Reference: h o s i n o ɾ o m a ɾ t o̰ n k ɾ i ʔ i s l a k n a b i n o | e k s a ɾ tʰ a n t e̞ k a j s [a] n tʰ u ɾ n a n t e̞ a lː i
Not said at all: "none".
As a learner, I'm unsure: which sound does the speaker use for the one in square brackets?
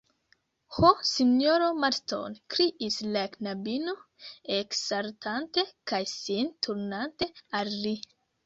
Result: i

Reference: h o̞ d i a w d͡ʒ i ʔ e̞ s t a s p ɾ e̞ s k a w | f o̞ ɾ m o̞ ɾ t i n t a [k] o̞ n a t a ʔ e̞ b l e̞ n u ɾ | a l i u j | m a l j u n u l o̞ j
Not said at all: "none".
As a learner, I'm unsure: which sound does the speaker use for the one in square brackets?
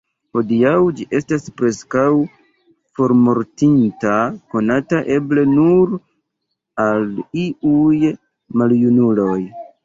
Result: k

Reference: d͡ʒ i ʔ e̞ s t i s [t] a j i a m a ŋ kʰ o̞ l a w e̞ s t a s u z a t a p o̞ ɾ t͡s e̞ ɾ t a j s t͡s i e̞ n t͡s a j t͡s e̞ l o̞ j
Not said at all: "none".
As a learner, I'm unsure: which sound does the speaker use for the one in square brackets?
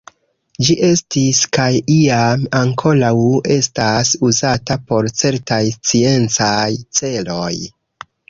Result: k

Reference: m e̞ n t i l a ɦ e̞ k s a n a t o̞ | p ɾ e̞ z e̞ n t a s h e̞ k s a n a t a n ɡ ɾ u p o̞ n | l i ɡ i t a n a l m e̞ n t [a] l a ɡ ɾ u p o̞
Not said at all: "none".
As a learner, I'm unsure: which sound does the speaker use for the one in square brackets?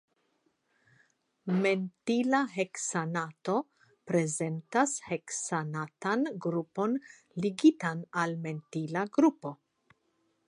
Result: i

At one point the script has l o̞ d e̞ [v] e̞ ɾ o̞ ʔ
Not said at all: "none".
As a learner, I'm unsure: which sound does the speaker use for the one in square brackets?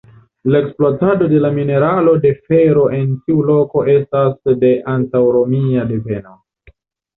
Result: f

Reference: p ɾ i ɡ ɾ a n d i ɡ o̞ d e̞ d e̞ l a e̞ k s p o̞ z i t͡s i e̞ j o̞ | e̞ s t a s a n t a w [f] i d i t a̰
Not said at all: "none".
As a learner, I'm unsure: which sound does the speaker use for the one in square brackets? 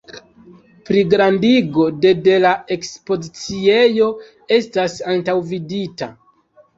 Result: v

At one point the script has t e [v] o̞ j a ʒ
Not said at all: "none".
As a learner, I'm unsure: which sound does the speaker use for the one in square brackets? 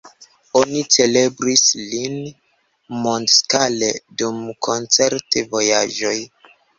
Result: v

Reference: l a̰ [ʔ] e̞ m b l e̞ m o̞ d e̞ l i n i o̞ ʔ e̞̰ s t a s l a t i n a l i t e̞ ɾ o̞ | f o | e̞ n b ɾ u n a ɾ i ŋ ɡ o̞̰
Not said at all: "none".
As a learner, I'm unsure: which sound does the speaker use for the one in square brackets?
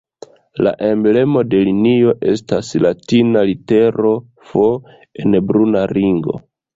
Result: ʔ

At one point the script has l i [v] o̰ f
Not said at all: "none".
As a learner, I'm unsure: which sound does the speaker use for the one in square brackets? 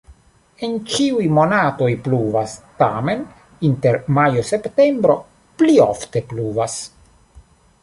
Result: none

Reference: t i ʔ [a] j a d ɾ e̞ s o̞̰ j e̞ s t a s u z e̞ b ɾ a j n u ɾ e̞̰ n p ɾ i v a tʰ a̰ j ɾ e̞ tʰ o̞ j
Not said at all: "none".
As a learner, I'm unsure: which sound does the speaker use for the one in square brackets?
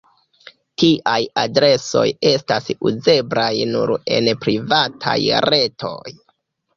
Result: a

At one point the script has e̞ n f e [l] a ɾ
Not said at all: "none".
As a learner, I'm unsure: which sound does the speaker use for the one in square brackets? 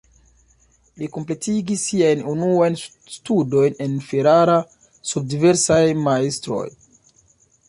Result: ɾ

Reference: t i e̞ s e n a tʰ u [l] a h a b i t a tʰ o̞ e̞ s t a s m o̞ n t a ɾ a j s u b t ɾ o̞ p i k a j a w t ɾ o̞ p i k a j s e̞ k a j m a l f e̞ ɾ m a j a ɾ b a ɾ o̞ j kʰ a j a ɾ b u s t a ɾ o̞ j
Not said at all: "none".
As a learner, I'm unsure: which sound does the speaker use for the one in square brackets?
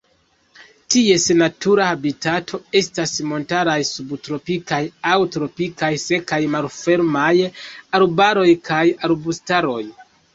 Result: ɾ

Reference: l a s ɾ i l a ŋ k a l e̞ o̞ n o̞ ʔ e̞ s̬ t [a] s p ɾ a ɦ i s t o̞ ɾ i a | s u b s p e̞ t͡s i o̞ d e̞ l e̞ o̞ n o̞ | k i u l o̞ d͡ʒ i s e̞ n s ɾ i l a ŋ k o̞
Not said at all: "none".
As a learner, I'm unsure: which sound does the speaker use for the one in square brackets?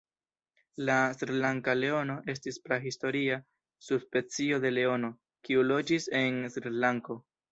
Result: i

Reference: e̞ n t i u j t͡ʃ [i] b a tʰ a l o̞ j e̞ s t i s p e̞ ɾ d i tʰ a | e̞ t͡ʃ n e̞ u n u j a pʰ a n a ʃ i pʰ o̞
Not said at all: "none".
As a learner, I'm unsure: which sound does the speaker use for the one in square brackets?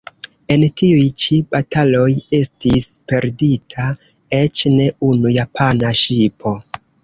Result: i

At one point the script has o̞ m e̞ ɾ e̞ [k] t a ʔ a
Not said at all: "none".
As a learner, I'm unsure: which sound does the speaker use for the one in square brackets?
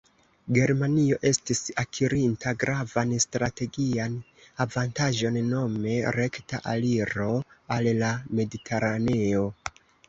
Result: k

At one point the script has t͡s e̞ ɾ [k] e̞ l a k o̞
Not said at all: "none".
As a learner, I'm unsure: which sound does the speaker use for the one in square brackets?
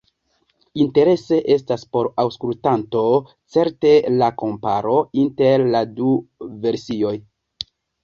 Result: t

